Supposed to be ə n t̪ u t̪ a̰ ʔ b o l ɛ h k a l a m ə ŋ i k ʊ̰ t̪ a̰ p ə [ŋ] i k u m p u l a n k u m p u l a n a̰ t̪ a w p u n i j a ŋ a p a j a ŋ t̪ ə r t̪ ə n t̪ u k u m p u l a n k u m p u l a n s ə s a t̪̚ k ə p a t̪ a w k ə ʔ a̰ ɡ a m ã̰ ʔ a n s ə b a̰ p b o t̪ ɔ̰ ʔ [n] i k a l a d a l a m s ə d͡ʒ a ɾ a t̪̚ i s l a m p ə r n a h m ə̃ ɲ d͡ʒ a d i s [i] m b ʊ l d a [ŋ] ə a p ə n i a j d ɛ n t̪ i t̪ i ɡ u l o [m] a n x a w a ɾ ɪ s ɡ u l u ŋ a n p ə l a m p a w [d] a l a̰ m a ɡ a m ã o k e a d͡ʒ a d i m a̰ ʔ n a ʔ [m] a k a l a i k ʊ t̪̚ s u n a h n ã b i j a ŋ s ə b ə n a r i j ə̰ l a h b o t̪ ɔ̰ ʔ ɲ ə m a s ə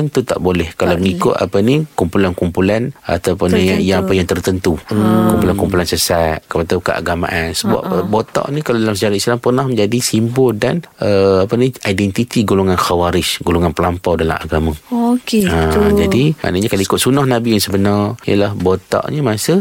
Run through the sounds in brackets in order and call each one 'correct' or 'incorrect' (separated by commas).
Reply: incorrect, correct, correct, incorrect, incorrect, correct, incorrect